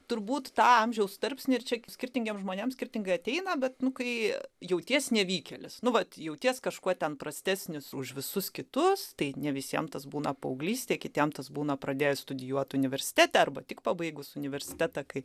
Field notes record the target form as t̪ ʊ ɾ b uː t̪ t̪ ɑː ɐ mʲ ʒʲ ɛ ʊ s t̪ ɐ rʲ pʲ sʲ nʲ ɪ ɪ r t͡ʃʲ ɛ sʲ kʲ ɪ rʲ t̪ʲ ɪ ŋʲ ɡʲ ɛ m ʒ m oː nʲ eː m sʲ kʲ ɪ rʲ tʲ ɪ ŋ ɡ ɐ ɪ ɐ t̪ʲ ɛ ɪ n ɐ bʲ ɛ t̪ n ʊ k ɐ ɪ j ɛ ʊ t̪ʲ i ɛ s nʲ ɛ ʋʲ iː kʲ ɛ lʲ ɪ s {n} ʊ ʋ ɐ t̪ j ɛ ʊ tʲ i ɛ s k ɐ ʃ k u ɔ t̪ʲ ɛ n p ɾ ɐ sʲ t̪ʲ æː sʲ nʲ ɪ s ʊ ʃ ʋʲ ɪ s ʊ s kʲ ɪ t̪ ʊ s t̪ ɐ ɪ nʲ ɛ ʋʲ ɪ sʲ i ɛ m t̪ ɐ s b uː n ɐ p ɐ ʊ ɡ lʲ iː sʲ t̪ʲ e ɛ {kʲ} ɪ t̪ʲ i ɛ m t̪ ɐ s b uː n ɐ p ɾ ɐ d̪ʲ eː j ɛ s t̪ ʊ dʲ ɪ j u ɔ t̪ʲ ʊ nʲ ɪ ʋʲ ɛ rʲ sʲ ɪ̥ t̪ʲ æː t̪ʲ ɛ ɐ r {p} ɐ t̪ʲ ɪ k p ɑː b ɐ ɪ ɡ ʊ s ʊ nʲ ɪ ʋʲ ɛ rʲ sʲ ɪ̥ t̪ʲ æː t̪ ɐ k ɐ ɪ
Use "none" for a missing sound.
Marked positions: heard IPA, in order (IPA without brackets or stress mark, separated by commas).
n, kʲ, b